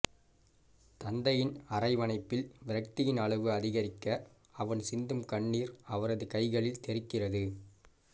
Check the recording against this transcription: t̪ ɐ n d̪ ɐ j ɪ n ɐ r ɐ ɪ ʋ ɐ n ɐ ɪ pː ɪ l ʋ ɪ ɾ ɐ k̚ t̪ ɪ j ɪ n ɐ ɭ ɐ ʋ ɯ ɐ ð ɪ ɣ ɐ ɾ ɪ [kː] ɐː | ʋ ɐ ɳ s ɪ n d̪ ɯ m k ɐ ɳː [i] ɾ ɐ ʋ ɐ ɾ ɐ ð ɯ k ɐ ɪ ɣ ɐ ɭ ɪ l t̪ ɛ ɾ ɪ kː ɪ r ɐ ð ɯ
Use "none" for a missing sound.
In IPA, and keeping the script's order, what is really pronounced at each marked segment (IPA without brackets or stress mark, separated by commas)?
kː, iː